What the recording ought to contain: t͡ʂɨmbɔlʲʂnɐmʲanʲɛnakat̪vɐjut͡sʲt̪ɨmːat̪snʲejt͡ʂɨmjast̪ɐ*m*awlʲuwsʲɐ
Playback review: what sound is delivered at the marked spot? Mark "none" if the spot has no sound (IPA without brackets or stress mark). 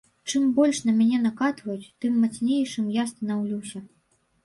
n